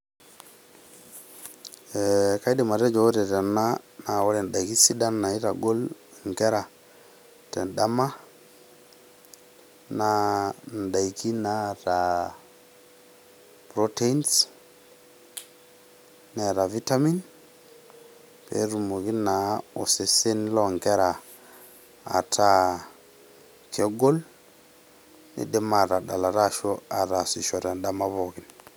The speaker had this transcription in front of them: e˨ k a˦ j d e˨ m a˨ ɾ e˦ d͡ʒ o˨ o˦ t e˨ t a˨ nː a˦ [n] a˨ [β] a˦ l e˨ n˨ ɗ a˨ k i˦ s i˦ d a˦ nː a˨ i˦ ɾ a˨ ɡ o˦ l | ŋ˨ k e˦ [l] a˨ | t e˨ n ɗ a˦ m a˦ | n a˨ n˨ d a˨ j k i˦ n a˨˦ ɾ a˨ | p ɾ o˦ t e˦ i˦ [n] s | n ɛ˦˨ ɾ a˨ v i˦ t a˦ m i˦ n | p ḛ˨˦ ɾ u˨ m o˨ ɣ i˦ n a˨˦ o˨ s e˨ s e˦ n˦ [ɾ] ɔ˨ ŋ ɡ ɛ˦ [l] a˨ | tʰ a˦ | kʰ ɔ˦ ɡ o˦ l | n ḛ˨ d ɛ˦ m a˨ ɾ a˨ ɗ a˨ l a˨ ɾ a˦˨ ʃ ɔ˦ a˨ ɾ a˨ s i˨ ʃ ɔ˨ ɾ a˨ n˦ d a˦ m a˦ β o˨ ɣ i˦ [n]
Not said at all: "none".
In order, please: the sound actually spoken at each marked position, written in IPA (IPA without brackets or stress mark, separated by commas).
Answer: n, w, ɾ, n, l, ɾ, n